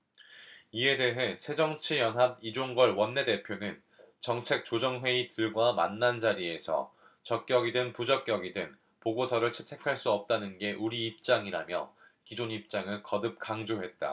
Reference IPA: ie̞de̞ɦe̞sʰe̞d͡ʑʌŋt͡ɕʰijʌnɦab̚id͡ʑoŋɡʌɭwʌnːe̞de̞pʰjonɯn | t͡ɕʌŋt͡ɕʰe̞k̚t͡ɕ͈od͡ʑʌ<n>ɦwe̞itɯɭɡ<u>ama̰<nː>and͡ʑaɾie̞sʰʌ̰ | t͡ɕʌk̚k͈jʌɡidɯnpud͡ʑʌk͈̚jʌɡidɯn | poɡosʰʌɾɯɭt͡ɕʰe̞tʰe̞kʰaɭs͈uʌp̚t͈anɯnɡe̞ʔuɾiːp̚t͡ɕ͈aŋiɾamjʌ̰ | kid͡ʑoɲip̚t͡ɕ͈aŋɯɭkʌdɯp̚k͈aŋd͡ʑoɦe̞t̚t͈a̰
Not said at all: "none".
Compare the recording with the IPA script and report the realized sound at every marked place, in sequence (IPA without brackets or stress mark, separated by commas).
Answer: ŋ, w, nː